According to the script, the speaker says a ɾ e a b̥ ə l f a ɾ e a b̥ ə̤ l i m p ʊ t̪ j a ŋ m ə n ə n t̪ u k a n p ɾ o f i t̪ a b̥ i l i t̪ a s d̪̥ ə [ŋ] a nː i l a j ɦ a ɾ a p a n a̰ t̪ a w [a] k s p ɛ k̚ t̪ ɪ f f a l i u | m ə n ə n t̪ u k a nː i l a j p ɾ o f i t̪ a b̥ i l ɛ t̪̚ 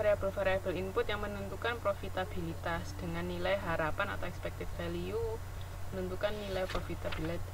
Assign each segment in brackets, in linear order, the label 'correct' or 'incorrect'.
correct, incorrect

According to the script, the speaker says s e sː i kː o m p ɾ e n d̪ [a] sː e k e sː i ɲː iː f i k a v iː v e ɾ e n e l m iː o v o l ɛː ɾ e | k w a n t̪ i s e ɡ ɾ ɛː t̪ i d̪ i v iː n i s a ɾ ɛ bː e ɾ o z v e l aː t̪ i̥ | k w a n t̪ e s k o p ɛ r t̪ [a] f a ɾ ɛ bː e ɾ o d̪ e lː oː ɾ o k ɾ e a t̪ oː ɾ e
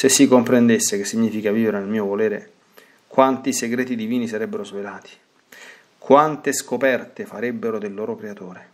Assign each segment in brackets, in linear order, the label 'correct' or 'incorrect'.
incorrect, incorrect

